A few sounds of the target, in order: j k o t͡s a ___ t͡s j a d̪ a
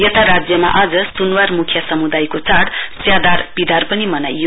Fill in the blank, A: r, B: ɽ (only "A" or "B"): B